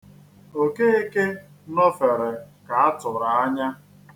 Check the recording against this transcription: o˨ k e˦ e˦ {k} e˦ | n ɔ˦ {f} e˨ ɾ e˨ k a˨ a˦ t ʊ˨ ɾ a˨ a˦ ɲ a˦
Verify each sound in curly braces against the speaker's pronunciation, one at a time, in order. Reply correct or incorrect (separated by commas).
correct, correct